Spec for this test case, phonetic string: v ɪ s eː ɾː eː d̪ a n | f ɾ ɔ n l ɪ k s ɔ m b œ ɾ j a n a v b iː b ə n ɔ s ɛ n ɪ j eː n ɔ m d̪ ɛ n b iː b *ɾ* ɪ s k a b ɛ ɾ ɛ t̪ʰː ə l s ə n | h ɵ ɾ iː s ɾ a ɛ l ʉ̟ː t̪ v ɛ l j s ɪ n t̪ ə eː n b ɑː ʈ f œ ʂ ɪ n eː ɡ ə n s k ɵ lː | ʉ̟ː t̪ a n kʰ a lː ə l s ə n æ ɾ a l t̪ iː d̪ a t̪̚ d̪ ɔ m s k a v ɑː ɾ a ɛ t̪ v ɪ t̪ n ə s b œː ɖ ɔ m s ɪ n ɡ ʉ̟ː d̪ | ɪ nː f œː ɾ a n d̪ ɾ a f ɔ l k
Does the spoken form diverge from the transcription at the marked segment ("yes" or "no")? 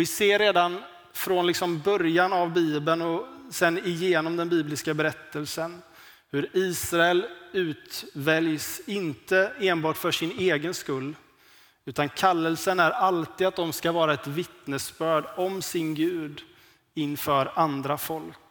yes